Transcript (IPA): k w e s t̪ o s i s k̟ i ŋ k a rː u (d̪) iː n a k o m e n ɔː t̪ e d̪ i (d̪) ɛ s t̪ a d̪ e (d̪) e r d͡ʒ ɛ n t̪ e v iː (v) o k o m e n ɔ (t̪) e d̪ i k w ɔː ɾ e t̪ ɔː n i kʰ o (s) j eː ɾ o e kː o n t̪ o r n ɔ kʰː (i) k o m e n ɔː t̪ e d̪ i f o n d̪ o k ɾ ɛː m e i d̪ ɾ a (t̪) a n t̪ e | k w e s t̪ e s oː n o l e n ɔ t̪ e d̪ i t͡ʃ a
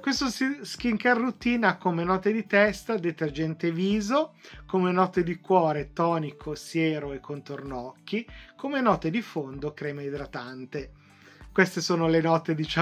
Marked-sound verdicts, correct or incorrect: incorrect: t̪, incorrect: t̪, incorrect: t̪, incorrect: z, correct, correct, correct, correct

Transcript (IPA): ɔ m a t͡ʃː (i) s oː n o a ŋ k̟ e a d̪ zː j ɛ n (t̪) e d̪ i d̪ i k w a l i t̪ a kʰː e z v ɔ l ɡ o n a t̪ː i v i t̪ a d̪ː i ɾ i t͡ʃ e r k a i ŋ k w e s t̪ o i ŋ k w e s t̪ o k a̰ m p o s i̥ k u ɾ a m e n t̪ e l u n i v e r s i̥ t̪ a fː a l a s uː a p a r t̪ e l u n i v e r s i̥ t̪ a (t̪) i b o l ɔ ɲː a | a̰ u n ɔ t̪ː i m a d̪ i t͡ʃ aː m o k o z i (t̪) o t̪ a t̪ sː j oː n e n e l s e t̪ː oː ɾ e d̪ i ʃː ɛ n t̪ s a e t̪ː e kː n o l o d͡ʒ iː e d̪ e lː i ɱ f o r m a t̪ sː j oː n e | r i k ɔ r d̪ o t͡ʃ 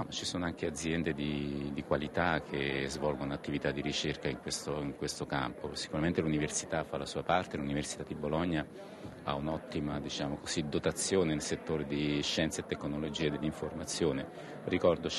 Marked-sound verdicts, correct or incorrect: correct, incorrect: d̪, incorrect: d̪, incorrect: d̪

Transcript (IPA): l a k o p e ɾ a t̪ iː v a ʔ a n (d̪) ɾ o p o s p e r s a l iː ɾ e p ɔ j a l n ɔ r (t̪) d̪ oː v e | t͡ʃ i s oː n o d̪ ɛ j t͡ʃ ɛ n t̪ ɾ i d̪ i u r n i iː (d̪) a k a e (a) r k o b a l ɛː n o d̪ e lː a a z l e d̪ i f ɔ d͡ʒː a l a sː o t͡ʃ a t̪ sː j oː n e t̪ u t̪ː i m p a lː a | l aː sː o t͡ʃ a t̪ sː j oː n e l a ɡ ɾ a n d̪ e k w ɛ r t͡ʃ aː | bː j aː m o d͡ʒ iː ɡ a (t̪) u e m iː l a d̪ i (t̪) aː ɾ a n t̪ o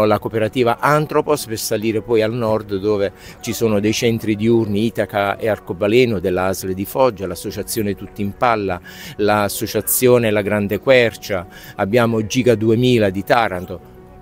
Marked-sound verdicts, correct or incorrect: incorrect: t̪, incorrect: d̪, incorrect: t̪, correct, incorrect: d̪, correct

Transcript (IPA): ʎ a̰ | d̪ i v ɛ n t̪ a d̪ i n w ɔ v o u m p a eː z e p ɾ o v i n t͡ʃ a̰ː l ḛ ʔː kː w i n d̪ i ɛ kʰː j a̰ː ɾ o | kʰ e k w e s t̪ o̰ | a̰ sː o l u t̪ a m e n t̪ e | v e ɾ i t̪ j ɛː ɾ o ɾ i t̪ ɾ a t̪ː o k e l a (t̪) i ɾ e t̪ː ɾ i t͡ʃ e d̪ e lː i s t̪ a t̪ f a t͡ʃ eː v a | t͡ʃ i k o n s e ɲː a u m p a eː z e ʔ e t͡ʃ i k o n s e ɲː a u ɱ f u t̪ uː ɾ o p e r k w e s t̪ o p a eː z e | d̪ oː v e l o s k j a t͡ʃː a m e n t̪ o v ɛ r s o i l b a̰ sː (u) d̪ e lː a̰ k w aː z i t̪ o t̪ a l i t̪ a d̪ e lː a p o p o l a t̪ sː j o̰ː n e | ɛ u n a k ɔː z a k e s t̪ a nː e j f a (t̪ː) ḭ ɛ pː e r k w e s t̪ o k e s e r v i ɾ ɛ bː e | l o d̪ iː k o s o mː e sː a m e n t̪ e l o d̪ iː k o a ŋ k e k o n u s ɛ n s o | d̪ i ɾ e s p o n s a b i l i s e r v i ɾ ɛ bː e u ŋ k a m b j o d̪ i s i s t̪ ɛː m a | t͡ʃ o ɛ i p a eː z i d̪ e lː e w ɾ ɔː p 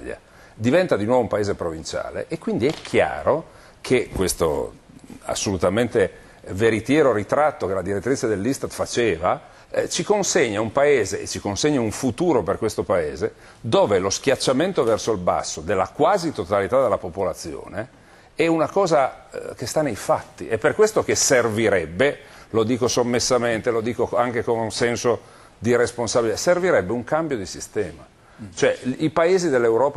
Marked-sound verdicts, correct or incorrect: incorrect: d̪, incorrect: o, correct

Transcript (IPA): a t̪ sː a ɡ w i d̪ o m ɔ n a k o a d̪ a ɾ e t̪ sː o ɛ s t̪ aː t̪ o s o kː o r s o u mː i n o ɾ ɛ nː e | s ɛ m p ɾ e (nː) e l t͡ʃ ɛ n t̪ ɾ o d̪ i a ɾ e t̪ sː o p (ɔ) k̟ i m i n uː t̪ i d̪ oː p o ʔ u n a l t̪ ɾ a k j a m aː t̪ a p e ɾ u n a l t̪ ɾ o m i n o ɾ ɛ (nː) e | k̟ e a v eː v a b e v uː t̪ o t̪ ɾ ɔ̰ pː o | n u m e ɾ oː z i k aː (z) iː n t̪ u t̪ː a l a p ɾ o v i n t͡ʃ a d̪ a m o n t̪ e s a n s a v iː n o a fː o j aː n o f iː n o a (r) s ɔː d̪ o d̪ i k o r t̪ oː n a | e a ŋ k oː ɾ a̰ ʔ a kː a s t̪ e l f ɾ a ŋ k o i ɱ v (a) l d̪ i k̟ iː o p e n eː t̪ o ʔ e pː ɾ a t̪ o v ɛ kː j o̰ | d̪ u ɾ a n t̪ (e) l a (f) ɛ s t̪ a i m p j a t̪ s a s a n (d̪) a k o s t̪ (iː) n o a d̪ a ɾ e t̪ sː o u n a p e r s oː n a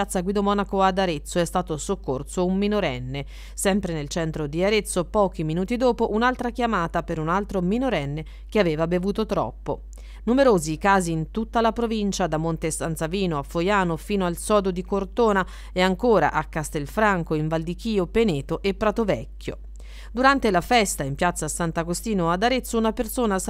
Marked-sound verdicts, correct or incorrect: incorrect: n, incorrect: ɔː, correct, correct, incorrect: l, correct, correct, correct, incorrect: t̪, correct

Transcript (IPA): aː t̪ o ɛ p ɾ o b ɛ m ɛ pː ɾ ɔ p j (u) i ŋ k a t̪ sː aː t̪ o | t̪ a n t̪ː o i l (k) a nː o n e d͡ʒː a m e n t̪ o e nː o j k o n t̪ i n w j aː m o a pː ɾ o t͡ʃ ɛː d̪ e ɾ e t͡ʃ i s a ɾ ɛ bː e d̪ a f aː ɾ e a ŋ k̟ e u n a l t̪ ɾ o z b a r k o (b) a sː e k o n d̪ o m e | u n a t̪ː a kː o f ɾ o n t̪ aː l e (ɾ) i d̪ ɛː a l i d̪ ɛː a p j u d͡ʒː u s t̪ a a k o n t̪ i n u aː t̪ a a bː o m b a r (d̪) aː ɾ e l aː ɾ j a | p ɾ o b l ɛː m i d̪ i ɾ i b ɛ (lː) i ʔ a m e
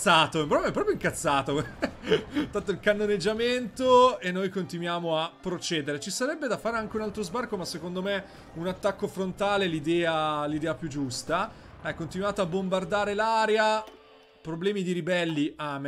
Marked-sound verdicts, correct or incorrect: incorrect: o, correct, incorrect: m, incorrect: l, correct, correct

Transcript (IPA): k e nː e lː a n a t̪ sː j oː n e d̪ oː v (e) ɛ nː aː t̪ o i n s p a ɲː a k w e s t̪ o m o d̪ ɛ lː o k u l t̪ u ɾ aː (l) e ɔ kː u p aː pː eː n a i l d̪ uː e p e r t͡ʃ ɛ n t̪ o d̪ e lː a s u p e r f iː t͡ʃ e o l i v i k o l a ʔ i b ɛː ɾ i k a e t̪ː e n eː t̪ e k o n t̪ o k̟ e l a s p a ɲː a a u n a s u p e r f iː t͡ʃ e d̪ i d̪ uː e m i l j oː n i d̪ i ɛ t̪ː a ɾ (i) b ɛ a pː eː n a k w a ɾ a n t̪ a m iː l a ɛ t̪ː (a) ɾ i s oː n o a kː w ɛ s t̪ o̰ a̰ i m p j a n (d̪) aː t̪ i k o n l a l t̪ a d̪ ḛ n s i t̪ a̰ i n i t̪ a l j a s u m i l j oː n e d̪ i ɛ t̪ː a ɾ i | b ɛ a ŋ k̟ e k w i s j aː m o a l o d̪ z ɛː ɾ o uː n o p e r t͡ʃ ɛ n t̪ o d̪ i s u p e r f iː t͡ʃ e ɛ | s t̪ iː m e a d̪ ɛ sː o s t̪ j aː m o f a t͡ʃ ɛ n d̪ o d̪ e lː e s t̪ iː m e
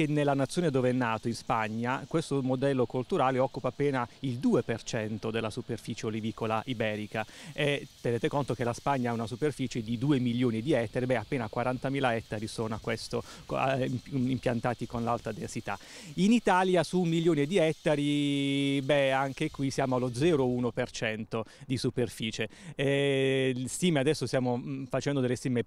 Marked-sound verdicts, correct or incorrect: correct, correct, correct, correct, incorrect: t̪

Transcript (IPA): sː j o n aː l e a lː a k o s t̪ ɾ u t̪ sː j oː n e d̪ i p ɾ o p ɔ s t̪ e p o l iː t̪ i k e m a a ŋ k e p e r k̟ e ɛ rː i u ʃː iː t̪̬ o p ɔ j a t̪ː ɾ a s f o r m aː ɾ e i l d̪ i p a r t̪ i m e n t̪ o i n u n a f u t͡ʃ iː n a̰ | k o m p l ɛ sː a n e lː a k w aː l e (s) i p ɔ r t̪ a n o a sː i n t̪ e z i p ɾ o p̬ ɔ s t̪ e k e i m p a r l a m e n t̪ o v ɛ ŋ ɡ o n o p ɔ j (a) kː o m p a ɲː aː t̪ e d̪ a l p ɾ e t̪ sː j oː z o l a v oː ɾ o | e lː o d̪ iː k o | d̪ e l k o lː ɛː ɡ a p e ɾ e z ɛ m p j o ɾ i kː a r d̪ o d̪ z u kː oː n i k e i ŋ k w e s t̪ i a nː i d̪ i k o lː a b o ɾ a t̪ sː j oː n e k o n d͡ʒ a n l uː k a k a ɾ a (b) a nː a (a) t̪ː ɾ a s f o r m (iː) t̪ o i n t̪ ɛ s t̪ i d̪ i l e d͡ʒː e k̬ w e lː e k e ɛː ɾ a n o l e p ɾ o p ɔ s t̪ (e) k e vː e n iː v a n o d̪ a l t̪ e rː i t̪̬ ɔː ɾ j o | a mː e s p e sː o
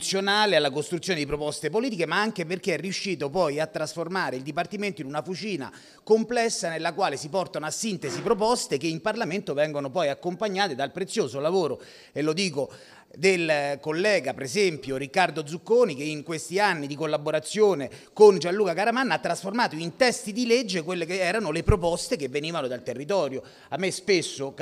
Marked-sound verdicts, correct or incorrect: correct, correct, incorrect: m, correct, incorrect: aː, correct

